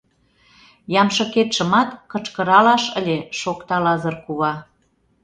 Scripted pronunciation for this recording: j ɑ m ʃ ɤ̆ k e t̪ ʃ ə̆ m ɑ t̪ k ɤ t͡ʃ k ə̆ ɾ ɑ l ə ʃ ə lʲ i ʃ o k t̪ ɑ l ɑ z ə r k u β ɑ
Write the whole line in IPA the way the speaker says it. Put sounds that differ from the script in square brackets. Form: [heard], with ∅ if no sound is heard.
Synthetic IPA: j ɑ m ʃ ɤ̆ k e t̪ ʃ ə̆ m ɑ t̪ k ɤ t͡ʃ k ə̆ ɾ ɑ l [ɑ] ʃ ə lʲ [e] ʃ o k t̪ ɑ l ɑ z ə r k u β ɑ

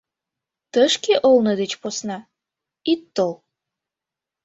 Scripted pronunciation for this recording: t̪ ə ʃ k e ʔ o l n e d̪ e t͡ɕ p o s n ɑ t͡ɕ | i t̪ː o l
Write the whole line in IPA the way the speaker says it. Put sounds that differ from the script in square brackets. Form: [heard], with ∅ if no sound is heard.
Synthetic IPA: t̪ ə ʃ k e ʔ o l n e d̪ e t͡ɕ p o s n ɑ [∅] | i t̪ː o l

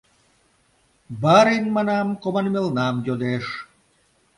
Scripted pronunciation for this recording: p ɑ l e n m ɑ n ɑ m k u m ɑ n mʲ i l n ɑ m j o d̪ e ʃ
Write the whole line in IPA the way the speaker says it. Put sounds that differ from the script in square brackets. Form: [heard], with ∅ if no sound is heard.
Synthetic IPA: [b] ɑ [ɾ] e n m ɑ n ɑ m k [o] m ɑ n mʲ [e] l n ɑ m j o d̪ e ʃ

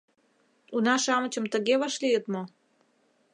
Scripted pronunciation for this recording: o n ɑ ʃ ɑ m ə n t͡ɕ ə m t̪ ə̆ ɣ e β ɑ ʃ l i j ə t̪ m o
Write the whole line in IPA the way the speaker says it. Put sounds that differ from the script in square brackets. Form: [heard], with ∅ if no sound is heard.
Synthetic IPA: [u] n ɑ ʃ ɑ m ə [∅] t͡ɕ ə m t̪ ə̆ ɣ e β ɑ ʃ l i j ə t̪ m o

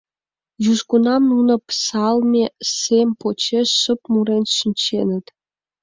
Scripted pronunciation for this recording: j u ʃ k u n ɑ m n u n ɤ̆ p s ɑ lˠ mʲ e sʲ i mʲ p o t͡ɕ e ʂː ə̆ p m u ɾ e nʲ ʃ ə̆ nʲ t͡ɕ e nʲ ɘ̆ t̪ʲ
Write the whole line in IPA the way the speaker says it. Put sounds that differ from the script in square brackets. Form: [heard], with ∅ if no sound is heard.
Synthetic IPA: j u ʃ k u n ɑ m n u n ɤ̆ p s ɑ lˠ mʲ e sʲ [e] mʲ p o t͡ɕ e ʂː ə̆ p m u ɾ e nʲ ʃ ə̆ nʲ t͡ɕ e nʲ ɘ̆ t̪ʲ

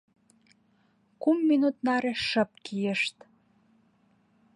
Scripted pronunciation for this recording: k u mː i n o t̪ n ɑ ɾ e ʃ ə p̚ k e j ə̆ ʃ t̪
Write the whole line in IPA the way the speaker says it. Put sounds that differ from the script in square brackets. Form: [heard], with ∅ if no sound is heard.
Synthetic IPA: k u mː i n [u] t̪ n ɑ ɾ e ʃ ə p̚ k [i] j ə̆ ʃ t̪

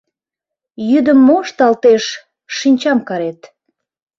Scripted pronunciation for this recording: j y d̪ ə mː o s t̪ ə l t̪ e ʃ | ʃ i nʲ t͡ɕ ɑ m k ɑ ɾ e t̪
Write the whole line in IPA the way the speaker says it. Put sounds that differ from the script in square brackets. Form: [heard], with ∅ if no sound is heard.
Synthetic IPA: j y d̪ ə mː o [ʃ] t̪ [ɑ] l t̪ e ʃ | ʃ i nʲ t͡ɕ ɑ m k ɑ ɾ e t̪

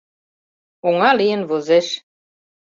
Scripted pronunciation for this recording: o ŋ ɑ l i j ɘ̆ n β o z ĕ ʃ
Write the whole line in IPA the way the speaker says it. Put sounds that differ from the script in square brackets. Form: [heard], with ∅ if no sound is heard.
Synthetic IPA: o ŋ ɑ l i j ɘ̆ n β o z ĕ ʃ

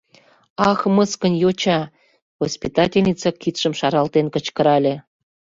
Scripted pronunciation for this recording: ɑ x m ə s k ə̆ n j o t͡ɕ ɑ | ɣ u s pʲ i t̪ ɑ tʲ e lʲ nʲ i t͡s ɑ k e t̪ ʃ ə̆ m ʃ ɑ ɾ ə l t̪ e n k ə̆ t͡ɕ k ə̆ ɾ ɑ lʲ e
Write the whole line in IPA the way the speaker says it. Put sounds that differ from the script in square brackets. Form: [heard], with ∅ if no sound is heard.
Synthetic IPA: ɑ x m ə s k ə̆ n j o t͡ɕ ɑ | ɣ [o] s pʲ i t̪ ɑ tʲ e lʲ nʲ i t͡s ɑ k [i] t̪ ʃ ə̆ m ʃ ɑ ɾ [ɑ] l t̪ e n k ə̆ t͡ɕ k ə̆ ɾ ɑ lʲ e

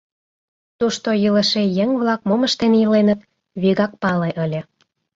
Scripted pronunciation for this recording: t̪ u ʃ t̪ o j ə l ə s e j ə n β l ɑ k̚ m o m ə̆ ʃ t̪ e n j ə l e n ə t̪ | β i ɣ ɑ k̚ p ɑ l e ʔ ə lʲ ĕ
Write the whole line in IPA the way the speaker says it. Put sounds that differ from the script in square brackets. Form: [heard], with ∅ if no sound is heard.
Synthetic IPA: t̪ u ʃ t̪ o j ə l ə [ʃ] e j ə [ŋ] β l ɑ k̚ m o m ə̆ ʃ t̪ e n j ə l e n ə t̪ | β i ɣ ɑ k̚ p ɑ l e ʔ ə lʲ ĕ

